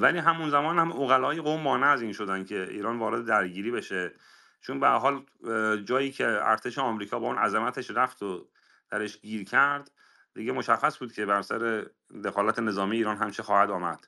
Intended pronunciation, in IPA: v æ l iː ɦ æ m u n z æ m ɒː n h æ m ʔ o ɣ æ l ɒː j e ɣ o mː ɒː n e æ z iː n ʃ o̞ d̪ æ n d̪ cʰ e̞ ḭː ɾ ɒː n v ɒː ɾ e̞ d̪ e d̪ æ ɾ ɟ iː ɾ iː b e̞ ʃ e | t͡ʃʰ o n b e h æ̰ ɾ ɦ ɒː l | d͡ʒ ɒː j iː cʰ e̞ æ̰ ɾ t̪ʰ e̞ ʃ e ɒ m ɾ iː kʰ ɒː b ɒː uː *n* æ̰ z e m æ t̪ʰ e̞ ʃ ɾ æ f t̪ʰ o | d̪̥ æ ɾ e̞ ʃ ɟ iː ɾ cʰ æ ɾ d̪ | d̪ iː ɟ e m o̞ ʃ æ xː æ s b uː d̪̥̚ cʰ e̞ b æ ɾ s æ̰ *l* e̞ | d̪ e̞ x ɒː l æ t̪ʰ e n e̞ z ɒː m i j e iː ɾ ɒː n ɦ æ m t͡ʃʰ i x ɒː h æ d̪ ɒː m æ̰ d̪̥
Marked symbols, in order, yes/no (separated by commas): yes, no